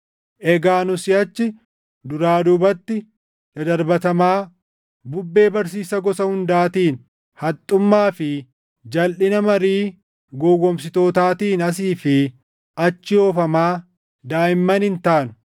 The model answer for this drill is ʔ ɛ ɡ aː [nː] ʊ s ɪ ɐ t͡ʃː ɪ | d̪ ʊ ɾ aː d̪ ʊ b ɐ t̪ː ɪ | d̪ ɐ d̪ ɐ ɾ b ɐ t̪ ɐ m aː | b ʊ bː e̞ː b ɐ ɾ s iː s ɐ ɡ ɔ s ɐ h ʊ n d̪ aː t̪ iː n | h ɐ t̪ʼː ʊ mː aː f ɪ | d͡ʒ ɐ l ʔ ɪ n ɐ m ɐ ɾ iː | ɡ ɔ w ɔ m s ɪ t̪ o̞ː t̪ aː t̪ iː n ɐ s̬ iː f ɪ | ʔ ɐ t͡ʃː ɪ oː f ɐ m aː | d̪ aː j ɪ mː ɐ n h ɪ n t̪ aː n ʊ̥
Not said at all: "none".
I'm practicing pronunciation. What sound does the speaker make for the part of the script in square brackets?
n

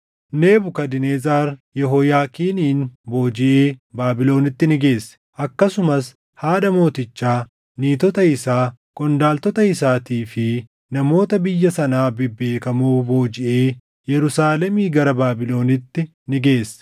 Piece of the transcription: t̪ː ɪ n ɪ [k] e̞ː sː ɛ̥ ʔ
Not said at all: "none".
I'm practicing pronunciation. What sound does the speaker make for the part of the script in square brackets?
ɡ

